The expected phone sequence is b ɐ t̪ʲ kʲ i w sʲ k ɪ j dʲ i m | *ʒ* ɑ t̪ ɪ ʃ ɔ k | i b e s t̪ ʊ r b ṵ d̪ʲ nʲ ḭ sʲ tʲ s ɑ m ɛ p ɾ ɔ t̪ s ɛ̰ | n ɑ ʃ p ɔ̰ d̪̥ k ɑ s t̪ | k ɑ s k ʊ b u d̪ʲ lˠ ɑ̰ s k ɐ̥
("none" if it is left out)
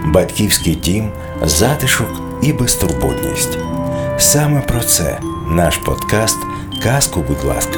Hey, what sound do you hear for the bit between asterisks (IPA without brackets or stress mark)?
z